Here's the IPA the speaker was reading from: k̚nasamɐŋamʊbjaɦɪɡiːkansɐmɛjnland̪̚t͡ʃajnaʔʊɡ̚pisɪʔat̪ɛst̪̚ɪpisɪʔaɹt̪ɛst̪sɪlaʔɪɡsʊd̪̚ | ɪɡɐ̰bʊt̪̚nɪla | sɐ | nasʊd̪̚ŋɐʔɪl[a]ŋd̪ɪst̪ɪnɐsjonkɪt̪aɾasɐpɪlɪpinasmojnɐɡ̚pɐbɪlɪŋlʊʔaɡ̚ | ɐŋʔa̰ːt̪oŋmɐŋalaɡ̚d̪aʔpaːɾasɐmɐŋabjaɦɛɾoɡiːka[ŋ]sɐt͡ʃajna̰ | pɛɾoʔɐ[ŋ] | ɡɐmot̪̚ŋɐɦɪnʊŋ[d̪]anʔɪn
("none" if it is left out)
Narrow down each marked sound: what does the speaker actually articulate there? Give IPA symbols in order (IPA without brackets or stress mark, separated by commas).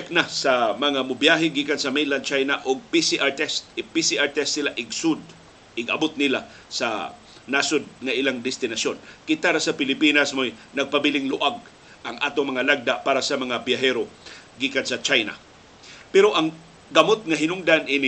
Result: a, n, ŋ, d̪